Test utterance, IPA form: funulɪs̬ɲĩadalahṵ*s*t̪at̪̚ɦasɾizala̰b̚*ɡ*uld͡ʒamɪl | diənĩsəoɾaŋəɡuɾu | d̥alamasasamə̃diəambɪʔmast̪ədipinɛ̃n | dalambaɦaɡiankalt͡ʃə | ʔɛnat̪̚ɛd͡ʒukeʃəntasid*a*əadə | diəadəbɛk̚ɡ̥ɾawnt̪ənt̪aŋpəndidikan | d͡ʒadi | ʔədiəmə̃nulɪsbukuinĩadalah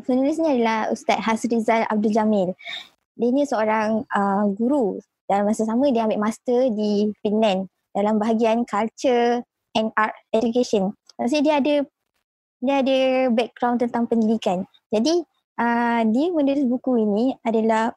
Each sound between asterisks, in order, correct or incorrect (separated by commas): correct, incorrect, incorrect